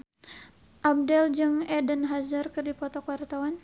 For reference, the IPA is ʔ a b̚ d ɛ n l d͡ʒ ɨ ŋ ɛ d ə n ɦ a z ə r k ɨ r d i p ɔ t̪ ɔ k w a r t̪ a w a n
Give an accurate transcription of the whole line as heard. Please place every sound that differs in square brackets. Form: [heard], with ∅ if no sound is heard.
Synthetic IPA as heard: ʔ a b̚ d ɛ [∅] l d͡ʒ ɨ ŋ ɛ d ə n ɦ a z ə r k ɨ r d i p ɔ t̪ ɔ k w a r t̪ a w a n